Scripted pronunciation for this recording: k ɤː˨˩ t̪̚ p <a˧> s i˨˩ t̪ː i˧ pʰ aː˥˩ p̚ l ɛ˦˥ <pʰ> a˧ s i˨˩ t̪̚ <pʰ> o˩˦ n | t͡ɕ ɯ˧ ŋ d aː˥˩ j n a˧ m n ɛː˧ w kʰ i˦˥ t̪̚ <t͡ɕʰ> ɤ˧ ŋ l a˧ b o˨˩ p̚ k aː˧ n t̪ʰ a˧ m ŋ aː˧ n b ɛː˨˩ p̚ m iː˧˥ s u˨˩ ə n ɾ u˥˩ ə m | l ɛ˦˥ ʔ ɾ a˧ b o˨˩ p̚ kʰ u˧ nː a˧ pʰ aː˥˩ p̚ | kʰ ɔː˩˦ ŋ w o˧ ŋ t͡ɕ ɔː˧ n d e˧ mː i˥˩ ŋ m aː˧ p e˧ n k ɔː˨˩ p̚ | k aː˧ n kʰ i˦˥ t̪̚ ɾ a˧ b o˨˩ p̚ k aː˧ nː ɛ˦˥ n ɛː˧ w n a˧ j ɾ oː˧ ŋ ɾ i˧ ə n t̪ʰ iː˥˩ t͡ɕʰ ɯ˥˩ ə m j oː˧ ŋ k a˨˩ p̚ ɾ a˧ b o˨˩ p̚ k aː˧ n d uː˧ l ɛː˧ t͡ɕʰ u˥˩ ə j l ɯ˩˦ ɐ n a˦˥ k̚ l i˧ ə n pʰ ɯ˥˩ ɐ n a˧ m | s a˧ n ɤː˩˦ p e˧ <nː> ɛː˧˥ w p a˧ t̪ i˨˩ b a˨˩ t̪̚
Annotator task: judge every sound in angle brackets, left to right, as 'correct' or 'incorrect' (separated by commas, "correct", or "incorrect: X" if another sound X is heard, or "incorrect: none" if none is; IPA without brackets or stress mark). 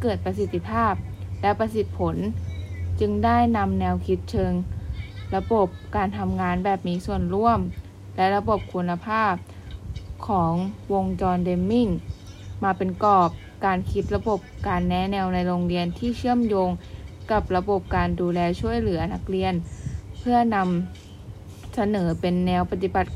correct, incorrect: p, correct, correct, correct